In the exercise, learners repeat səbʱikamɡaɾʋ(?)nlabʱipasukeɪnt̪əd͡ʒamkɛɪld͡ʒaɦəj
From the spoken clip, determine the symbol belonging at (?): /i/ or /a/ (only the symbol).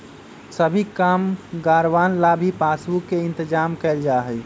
a